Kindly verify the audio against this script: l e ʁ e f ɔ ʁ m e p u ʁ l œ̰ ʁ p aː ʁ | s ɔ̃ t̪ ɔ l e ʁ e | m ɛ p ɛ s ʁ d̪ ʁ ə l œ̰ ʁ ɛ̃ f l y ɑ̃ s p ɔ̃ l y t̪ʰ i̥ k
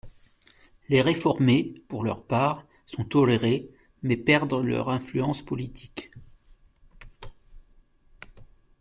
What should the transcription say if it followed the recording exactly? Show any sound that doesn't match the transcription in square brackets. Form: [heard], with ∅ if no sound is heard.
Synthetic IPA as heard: l e ʁ e f ɔ ʁ m e p u ʁ l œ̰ ʁ p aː ʁ | s ɔ̃ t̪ ɔ l e ʁ e | m ɛ p ɛ [∅] ʁ d̪ ʁ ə l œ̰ ʁ ɛ̃ f l y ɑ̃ s p [ɔ] l [i] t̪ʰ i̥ k